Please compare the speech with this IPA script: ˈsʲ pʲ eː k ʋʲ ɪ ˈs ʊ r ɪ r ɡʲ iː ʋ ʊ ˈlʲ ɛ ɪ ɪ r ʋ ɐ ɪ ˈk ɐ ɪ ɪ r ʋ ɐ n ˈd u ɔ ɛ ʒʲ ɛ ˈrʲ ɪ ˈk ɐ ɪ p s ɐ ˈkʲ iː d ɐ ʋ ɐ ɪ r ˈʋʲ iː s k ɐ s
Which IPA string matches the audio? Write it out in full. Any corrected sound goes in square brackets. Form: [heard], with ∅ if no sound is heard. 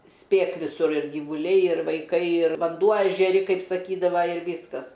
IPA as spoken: ˈsʲ pʲ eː k ʋʲ ɪ ˈs ʊ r ɪ r ɡʲ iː ʋ ʊ ˈlʲ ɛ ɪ ɪ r ʋ ɐ ɪ ˈk ɐ ɪ ɪ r ʋ ɐ n ˈd u ɔ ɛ ʒʲ ɛ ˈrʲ ɪ ˈk ɐ ɪ p s ɐ ˈkʲ iː d ɐ ʋ ɐ ɪ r ˈʋʲ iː s k ɐ s

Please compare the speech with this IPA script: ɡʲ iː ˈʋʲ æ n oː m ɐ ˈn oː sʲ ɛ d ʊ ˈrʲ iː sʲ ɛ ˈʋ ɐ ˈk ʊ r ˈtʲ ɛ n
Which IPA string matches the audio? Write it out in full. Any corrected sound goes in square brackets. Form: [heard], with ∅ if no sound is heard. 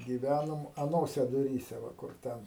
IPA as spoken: ɡʲ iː ˈʋʲ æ n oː m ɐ ˈn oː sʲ ɛ d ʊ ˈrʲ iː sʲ ɛ ˈʋ ɐ ˈk ʊ r ˈtʲ ɛ n

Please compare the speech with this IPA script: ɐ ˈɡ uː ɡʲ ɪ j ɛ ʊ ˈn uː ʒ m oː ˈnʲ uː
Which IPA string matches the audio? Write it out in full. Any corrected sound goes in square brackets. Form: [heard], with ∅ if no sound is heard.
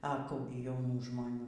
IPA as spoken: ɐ [ˈk] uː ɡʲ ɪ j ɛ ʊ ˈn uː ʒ m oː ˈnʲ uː

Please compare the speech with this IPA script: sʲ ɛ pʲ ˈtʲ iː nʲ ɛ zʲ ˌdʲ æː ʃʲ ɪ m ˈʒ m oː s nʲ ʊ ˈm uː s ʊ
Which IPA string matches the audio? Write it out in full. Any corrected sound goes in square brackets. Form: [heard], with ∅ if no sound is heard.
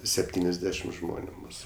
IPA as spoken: sʲ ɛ pʲ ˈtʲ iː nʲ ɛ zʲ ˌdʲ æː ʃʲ ɪ m ˈʒ m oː [∅] nʲ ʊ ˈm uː s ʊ

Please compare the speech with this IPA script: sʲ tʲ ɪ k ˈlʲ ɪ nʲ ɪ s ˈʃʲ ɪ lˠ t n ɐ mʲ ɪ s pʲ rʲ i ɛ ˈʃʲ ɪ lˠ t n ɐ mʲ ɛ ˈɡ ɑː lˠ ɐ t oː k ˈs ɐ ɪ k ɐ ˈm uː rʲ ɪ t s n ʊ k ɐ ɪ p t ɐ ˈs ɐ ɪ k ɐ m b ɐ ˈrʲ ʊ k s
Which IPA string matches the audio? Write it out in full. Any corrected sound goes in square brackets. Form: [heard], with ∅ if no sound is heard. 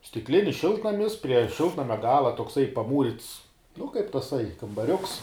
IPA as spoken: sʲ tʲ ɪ k ˈlʲ ɪ nʲ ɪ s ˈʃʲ ɪ lˠ t n ɐ mʲ ɪ s pʲ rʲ i ɛ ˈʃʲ ɪ lˠ t n ɐ mʲ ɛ ˈɡ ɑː lˠ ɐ t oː k ˈs ɐ ɪ [p] ɐ ˈm uː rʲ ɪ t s n ʊ k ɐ ɪ p t ɐ ˈs ɐ ɪ k ɐ m b ɐ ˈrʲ ʊ k s

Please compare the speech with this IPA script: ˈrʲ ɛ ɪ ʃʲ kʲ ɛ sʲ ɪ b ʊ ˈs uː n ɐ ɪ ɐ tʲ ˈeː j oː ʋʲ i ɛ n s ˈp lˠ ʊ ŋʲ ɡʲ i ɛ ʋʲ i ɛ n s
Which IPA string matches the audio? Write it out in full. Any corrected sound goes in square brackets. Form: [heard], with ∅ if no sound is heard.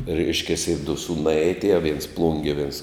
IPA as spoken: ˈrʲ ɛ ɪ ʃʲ kʲ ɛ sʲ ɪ [d] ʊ ˈs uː n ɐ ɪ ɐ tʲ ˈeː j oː ʋʲ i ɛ n s ˈp lˠ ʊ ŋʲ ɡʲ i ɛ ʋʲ i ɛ n s

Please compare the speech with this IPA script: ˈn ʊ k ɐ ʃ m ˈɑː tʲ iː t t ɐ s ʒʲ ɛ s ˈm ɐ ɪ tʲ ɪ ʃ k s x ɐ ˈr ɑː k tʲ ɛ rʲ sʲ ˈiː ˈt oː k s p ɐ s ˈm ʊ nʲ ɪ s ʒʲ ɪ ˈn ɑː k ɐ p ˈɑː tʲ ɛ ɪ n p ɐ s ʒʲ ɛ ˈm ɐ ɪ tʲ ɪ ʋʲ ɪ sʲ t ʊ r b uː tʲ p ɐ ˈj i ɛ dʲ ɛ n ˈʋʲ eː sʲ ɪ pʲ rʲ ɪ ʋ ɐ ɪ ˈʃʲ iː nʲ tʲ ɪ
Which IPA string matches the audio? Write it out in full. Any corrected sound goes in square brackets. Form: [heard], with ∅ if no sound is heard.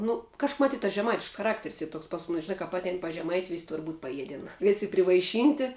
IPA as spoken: ˈn ʊ k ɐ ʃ m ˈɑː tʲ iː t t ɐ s ʒʲ ɛ [∅] ˈm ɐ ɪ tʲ ɪ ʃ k s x ɐ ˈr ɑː k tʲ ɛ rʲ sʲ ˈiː ˈt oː k s p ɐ s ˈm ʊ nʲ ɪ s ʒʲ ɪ ˈn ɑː k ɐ p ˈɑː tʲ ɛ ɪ n p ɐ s ʒʲ ɛ ˈm ɐ ɪ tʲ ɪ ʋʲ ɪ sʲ t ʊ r b uː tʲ p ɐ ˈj i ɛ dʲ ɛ n ˈʋʲ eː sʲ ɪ pʲ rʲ ɪ ʋ ɐ ɪ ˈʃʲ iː nʲ tʲ ɪ

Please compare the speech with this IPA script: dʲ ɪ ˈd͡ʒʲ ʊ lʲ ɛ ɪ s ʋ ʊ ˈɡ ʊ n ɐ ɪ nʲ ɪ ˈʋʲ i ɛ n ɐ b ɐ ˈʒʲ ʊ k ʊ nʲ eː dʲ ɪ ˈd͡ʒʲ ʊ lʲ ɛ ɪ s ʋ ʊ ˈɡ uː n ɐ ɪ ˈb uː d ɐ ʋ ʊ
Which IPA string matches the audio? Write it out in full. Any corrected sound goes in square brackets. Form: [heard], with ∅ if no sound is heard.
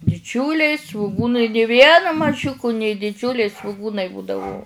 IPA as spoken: dʲ ɪ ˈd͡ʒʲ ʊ lʲ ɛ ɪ s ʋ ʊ ˈɡ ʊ n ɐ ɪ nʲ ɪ ˈʋʲ i ɛ n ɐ [m] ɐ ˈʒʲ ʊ k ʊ nʲ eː dʲ ɪ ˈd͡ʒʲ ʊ lʲ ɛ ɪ s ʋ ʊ ˈɡ uː n ɐ ɪ ˈb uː d ɐ ʋ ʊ

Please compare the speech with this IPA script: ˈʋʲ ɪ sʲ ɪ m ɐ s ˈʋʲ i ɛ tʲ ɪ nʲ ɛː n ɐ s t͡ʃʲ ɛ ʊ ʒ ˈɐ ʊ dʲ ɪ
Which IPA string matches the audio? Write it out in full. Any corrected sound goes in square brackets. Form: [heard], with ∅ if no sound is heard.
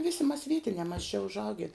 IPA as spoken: ˈʋʲ ɪ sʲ ɪ m ɐ s ˈʋʲ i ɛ tʲ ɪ nʲ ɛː [m] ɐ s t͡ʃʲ ɛ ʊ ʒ ˈɐ ʊ [ɡʲ] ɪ

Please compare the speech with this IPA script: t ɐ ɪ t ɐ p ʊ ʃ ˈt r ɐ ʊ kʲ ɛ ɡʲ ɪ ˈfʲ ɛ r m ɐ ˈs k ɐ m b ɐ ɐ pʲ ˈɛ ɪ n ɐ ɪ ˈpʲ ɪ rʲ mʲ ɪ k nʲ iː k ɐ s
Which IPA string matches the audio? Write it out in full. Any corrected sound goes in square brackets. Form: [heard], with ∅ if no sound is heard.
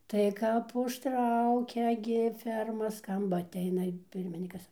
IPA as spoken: t ɐ ɪ [k] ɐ p ʊ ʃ ˈt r ɐ ʊ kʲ ɛ ɡʲ ɪ ˈfʲ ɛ r m ɐ ˈs k ɐ m b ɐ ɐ [tʲ] ˈɛ ɪ n ɐ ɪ ˈpʲ ɪ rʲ mʲ ɪ [∅] nʲ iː k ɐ s

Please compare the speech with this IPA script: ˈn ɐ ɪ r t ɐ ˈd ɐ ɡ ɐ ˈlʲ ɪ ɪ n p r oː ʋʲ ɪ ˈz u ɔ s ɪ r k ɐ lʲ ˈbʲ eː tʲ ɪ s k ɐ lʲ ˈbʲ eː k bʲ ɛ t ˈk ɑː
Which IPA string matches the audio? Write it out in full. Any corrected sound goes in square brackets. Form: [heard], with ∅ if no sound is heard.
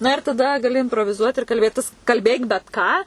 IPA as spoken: ˈn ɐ ɪ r t ɐ ˈd ɐ ɡ ɐ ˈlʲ ɪ ɪ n p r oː ʋʲ ɪ ˈz u ɔ [t] ɪ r k ɐ lʲ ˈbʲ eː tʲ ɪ s k ɐ lʲ ˈbʲ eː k bʲ ɛ t ˈk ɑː

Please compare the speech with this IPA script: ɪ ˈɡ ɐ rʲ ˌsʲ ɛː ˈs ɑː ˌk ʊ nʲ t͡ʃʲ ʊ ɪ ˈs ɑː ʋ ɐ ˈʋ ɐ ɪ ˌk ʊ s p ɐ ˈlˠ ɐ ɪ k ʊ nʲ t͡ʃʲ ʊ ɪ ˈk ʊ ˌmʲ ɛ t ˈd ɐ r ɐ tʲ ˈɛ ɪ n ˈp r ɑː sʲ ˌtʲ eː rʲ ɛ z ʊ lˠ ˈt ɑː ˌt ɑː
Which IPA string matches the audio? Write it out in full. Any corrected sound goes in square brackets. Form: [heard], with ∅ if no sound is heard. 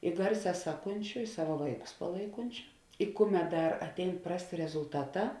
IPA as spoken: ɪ ˈɡ ɐ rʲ ˌsʲ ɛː ˈs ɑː ˌk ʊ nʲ t͡ʃʲ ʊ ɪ ˈs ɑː ʋ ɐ ˈʋ ɐ ɪ ˌk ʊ s p ɐ ˈlˠ ɐ ɪ k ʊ nʲ t͡ʃʲ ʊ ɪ ˈk ʊ ˌmʲ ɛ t ˈd ɐ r ɐ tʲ ˈɛ ɪ n ˈp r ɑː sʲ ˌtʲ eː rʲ ɛ z ʊ lˠ ˈt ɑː ˌt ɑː

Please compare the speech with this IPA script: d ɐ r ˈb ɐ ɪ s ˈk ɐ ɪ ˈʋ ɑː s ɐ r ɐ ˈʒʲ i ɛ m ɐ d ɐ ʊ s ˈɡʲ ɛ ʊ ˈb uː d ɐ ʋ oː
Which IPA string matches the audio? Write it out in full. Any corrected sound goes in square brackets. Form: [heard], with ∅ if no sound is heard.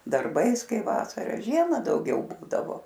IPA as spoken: d ɐ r ˈb ɐ ɪ s ˈk ɐ ɪ ˈʋ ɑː s ɐ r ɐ ˈʒʲ i ɛ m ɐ d ɐ ʊ [∅] ˈɡʲ ɛ ʊ ˈb uː d ɐ ʋ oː

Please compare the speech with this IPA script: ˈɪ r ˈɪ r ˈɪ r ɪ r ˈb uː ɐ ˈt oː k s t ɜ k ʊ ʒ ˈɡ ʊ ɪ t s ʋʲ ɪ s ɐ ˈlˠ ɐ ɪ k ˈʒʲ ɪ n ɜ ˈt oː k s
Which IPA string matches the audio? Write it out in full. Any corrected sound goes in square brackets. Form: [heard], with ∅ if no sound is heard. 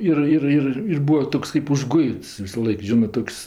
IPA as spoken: ˈɪ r ˈɪ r ˈɪ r ɪ r ˈb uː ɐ ˈt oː k s [k] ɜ [p] ʊ ʒ ˈɡ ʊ ɪ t s ʋʲ ɪ s ɐ ˈlˠ ɐ ɪ k ˈʒʲ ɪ n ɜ ˈt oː k s

